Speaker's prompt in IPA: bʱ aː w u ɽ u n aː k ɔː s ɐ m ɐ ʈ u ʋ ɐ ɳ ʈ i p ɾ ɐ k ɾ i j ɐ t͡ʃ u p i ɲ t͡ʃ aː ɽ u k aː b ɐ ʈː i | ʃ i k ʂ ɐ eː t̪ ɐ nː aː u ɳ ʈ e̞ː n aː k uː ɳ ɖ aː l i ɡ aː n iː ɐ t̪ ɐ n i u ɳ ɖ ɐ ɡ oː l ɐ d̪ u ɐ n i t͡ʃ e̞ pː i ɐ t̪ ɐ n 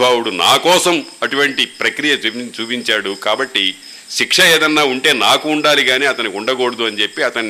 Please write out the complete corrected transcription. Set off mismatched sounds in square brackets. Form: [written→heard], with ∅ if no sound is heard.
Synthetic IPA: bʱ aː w u ɽ u n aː k ɔː s ɐ m ɐ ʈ u ʋ ɐ ɳ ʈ i p ɾ ɐ k ɾ i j ɐ t͡ʃ [u→uː] p i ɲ t͡ʃ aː ɽ u k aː b ɐ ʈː i | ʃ i k ʂ ɐ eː [t̪→d̪] ɐ nː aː u ɳ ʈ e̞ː n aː k uː ɳ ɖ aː l i ɡ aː n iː ɐ t̪ ɐ n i u ɳ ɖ ɐ ɡ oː [l→ɽ] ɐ d̪ u ɐ n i t͡ʃ e̞ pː i ɐ t̪ ɐ n